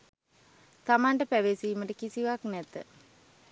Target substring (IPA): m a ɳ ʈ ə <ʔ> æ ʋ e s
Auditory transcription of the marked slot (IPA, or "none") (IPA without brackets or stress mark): p